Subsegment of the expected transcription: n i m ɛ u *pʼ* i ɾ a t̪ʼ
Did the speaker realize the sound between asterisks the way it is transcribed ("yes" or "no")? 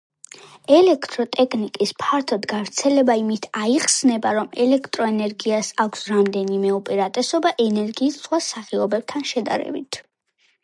yes